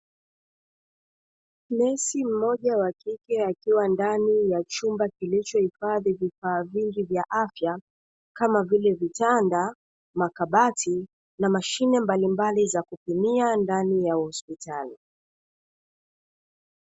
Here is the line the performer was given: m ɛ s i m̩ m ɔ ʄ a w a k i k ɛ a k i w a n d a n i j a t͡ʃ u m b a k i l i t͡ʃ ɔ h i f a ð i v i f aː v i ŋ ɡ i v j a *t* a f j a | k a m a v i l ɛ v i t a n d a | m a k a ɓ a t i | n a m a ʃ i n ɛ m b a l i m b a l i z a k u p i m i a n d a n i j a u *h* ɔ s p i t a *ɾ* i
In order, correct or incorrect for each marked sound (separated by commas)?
incorrect, correct, incorrect